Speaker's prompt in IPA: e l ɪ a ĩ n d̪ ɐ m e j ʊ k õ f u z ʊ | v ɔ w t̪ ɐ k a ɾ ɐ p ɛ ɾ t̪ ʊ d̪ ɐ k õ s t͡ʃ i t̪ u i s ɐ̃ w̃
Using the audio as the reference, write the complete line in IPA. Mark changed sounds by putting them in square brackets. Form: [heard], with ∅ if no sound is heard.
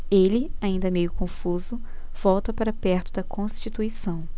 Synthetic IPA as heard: e l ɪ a ĩ n d̪ ɐ m e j ʊ k õ f u z ʊ | v ɔ w t̪ ɐ [p] a ɾ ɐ p ɛ ɾ t̪ ʊ d̪ ɐ k õ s t͡ʃ i t̪ u i s ɐ̃ w̃